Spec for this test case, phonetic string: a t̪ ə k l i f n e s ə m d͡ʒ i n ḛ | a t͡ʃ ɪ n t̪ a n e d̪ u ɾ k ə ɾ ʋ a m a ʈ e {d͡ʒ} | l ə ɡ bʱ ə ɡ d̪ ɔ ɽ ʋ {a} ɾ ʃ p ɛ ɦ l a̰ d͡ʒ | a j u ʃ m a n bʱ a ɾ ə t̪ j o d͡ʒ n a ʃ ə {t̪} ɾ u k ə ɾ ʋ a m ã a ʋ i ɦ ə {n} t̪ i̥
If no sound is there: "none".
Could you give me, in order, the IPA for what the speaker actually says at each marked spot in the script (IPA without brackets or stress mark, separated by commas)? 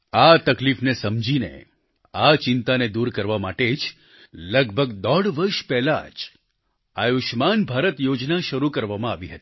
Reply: d͡ʒ, ə, none, none